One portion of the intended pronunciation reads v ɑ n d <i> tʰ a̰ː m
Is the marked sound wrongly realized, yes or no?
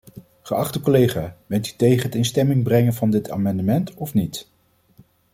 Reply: yes